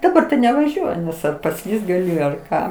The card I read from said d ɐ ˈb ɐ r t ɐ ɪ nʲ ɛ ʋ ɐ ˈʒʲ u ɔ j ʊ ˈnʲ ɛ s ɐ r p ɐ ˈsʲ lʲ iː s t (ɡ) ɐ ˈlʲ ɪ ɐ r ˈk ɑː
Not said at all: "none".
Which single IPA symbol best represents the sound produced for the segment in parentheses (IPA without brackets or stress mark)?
ɡ